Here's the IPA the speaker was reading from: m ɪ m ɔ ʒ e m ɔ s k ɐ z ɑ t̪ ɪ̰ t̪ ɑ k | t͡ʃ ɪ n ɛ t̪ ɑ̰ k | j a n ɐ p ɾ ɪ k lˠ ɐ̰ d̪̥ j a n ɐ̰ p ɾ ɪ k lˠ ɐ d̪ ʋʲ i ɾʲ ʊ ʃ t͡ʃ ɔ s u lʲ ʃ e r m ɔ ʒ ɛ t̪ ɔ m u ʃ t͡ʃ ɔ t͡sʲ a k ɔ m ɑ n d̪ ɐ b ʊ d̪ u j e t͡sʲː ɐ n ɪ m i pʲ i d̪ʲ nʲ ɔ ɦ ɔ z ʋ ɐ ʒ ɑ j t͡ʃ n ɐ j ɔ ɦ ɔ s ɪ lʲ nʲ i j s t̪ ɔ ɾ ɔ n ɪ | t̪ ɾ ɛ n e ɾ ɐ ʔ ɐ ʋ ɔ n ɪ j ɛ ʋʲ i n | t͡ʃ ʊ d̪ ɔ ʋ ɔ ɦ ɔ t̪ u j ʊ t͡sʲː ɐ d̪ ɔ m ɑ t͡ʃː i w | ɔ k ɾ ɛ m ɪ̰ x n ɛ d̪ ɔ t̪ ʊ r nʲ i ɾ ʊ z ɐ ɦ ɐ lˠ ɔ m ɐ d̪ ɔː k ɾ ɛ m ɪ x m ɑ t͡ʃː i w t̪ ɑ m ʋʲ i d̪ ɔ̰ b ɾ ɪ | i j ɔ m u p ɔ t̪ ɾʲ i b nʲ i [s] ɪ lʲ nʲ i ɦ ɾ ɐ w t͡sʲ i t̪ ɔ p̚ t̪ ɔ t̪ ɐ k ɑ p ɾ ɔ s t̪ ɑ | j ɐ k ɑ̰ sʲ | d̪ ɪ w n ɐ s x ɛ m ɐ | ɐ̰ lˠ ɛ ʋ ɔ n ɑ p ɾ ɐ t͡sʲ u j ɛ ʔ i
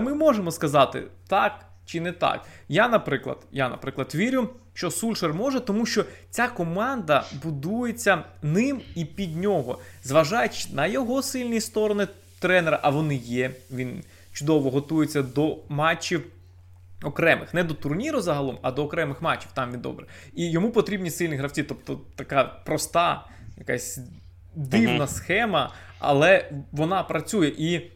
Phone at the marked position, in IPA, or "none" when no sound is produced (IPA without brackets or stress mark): s